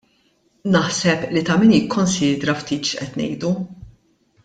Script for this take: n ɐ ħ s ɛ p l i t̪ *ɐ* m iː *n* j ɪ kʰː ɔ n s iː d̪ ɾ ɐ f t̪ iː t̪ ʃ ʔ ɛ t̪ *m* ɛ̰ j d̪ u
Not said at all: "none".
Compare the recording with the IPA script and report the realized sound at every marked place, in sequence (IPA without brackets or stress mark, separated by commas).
ɐ, n, n